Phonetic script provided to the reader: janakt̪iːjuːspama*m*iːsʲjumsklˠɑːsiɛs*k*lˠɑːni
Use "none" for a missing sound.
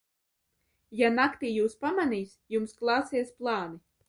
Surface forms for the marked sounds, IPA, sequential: n, p

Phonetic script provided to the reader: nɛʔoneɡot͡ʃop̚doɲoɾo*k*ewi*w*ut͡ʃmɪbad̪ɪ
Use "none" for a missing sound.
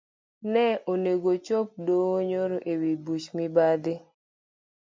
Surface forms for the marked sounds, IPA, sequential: ʔ, b

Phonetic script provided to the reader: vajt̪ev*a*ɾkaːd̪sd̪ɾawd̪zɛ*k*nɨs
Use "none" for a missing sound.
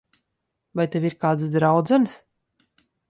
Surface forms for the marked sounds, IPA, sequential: i, none

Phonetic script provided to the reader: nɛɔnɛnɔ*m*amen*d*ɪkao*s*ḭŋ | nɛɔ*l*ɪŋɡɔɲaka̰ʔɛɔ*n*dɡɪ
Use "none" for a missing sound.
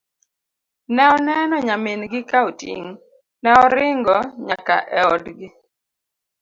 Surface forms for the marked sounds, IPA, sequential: ɲ, ɡ, t, ɾ, none

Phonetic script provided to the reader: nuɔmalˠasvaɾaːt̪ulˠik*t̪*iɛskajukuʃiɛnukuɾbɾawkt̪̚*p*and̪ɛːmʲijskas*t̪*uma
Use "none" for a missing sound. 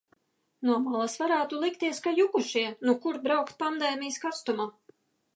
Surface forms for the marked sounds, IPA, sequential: t̪, p, t̪

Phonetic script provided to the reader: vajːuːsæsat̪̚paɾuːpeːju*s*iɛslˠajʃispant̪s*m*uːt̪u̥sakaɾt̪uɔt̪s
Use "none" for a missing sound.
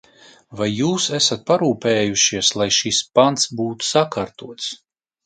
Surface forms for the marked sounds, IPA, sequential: ʃ, b

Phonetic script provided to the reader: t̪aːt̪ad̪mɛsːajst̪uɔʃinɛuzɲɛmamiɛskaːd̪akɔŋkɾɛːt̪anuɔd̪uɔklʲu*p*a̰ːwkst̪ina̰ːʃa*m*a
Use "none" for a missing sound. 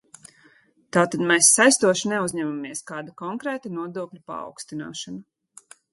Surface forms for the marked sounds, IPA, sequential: p, n

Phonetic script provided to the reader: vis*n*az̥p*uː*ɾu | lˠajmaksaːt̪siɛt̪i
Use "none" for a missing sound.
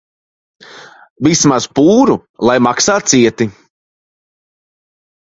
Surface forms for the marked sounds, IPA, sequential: m, uː

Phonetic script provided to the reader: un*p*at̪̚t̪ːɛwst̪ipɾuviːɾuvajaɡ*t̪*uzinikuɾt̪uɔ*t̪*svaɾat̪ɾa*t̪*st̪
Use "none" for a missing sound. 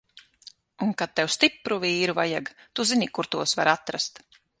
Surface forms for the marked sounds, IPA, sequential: k, t̪, none, none

